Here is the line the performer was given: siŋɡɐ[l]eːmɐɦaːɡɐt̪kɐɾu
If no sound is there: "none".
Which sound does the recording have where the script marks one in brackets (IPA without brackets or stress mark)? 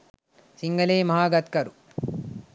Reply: l